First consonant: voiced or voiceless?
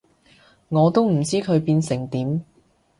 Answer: voiced